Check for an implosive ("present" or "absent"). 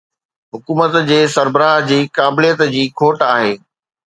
absent